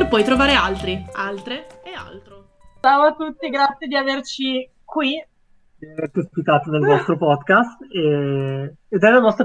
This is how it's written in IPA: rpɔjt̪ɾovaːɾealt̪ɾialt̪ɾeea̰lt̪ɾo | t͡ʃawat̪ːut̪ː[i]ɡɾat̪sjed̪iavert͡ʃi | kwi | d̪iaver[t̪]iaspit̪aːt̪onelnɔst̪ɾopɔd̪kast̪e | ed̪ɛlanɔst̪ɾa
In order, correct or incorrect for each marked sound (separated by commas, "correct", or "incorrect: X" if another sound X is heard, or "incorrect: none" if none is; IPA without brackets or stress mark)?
correct, correct